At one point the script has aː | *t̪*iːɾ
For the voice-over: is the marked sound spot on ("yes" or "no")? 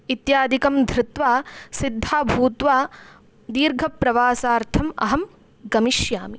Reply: no